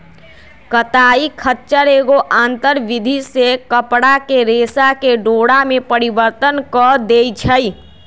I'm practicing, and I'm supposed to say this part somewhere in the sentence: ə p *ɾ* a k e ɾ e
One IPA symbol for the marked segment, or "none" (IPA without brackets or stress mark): ɽ